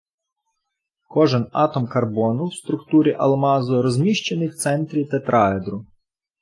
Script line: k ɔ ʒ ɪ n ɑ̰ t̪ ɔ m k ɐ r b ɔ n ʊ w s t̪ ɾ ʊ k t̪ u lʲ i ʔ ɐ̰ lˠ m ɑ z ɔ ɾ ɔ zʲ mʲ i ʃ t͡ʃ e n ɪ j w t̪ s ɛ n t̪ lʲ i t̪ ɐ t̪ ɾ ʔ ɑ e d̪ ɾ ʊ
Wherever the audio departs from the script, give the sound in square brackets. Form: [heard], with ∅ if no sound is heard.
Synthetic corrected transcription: k ɔ ʒ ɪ n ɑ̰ t̪ ɔ m k ɐ r b ɔ n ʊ w s t̪ ɾ ʊ k t̪ u [ɾʲ] i ʔ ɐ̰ lˠ m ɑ z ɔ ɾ ɔ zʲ mʲ i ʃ t͡ʃ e n ɪ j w t̪ s ɛ n t̪ [ɾʲ] i t̪ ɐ t̪ ɾ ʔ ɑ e d̪ ɾ ʊ